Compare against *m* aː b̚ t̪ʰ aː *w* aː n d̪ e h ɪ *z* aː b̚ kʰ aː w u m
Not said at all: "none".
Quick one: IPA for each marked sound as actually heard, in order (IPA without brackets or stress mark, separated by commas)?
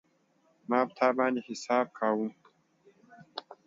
m, b, s